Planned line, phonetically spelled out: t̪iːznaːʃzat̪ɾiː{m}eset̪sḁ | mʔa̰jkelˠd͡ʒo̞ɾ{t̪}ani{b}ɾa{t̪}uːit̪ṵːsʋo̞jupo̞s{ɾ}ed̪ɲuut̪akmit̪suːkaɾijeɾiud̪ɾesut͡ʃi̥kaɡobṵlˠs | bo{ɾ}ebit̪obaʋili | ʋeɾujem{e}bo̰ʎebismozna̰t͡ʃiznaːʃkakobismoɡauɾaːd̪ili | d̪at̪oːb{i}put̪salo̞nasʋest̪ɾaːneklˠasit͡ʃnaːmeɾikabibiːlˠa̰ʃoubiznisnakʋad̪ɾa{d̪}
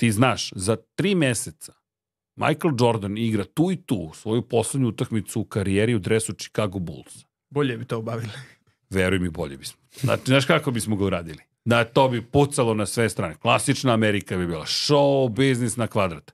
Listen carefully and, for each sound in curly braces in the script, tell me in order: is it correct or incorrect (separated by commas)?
correct, incorrect, incorrect, correct, incorrect, incorrect, incorrect, correct, incorrect